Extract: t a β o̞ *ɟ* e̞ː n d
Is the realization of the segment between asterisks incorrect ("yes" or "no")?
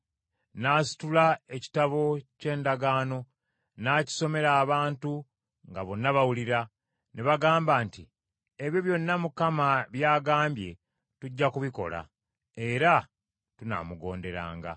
yes